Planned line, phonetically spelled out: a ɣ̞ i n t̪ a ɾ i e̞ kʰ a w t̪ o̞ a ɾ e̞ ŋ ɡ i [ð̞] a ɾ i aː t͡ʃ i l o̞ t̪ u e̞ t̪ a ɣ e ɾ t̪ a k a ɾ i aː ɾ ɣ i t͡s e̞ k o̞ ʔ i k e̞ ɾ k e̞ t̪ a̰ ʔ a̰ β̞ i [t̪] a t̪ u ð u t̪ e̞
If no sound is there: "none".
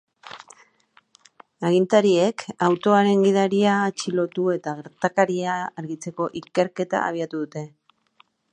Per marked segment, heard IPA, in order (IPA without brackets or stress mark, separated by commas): ð̞, none